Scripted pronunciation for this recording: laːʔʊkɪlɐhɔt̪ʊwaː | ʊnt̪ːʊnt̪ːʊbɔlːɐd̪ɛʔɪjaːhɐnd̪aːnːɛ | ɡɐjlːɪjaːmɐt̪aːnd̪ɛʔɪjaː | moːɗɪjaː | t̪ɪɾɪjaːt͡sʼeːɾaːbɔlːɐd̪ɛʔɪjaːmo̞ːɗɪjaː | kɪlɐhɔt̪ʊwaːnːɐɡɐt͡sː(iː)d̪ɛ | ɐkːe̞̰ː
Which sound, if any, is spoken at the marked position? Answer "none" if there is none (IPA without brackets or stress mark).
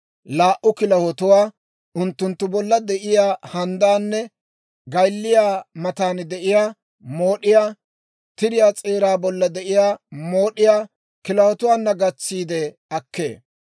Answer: iː